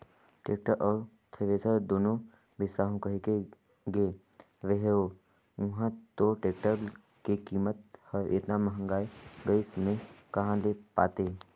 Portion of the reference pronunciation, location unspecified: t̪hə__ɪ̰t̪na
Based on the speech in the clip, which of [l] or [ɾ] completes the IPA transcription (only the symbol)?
ɾ